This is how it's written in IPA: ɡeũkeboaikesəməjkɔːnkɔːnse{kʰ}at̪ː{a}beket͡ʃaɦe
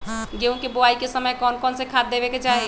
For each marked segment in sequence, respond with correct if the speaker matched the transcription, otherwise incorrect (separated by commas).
correct, incorrect